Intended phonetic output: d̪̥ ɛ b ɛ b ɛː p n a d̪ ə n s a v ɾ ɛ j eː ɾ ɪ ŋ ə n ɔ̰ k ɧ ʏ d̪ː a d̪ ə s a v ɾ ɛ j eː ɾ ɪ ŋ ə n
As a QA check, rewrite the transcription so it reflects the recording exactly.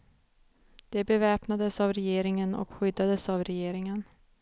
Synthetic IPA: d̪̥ ɛ b ɛ v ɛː p n a d̪ ə s a v ɾ ɛ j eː ɾ ɪ ŋ ə n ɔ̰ k ɧ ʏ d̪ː a d̪ ə s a v ɾ ɛ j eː ɾ ɪ ŋ ə n